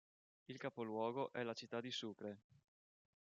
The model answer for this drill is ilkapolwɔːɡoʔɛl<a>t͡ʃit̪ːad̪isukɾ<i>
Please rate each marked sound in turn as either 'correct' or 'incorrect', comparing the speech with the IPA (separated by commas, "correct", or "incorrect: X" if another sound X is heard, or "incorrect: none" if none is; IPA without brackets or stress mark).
correct, incorrect: e